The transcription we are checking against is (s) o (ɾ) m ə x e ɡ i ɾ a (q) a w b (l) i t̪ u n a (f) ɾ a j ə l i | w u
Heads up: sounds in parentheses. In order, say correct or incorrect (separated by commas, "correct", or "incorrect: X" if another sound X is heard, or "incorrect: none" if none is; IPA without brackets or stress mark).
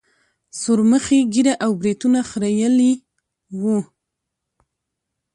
correct, correct, incorrect: ʔ, incorrect: ɾ, incorrect: x